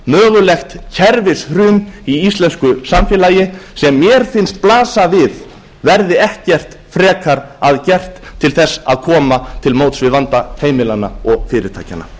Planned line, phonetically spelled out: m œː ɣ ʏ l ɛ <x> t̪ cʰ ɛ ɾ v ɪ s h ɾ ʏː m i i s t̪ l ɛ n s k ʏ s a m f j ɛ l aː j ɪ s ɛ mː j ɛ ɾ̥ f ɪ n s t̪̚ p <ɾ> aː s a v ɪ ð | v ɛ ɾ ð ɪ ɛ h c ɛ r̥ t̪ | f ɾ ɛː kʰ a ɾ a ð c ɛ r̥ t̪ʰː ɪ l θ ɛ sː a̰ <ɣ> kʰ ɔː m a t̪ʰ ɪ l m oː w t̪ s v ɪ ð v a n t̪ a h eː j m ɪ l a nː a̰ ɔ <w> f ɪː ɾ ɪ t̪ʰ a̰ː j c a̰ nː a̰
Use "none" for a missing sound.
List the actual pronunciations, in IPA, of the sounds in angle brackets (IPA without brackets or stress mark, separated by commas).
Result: x, l, ð, ɣ